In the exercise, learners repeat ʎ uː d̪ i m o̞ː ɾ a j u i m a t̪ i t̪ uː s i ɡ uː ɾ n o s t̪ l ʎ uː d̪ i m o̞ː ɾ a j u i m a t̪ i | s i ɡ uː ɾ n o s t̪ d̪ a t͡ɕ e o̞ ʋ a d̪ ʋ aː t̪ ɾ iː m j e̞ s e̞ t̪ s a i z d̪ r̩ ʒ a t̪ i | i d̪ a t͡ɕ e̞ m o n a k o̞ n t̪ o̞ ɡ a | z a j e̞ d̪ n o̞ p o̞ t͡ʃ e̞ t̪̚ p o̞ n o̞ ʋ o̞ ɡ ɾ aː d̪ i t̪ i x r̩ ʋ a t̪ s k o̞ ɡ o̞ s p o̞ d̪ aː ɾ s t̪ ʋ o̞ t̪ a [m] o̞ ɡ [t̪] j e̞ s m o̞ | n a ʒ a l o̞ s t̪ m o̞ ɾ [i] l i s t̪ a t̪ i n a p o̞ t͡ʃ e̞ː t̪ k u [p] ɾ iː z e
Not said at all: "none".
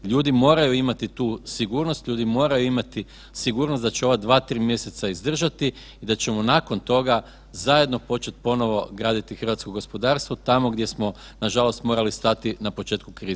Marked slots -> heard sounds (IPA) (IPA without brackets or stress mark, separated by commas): m, d̪, a, k